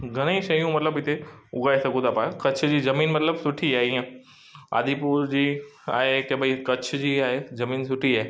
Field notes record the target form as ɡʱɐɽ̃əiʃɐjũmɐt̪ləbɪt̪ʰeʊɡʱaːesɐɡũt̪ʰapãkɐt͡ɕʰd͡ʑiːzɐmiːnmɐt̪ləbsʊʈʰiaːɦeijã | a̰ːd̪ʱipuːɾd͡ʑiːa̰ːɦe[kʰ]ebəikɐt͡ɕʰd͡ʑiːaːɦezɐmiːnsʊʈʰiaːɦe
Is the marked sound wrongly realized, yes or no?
yes